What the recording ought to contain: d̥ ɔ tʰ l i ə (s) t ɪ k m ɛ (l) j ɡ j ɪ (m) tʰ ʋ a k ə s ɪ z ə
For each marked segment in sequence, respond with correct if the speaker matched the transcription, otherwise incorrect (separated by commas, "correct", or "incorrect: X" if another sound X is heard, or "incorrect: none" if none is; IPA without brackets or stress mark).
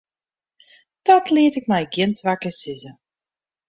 incorrect: none, incorrect: none, incorrect: n